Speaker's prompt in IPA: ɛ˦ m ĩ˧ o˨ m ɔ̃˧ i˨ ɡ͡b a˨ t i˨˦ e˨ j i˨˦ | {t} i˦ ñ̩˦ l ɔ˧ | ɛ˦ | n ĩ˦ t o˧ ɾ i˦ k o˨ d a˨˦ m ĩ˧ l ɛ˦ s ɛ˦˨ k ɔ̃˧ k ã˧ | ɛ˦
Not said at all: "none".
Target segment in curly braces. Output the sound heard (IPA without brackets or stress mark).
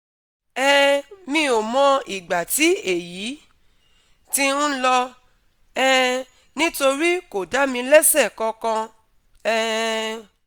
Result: t